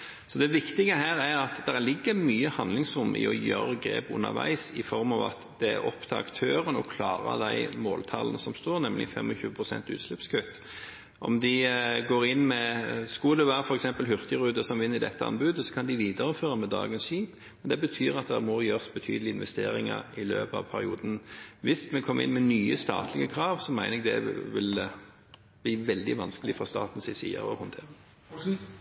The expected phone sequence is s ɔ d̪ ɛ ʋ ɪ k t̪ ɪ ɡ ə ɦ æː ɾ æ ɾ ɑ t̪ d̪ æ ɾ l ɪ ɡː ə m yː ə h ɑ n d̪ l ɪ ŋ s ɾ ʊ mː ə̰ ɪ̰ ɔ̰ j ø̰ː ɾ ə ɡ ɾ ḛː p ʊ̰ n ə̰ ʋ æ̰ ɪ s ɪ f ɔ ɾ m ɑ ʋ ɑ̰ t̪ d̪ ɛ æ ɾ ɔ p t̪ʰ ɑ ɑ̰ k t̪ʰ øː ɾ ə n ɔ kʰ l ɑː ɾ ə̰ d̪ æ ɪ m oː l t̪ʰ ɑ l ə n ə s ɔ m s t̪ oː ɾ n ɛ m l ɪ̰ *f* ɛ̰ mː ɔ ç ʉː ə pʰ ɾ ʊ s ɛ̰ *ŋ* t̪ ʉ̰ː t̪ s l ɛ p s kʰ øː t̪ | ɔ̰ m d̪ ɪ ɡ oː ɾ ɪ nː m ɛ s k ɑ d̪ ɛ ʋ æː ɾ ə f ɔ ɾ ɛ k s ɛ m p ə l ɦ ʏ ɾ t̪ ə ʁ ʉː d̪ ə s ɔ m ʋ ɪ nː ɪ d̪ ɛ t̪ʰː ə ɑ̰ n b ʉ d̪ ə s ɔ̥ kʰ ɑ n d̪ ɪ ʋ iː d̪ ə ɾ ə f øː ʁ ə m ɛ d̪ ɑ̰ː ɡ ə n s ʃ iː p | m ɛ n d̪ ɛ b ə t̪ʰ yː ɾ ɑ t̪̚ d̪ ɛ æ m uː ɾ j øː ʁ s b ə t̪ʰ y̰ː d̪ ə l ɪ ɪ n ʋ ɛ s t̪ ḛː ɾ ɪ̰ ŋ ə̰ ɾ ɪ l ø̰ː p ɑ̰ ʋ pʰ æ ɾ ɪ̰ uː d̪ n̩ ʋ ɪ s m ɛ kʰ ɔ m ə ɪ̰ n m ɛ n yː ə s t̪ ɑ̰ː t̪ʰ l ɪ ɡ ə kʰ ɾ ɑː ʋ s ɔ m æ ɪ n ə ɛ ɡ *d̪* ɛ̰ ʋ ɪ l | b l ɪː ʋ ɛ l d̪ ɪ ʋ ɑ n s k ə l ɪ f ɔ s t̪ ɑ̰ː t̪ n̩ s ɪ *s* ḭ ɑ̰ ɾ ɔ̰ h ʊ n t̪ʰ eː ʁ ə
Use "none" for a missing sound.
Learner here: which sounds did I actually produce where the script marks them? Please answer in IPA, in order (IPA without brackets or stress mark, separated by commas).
f, n, d̪, s